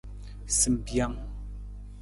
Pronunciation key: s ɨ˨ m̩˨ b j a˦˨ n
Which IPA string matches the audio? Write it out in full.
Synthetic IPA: s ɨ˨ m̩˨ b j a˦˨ ŋ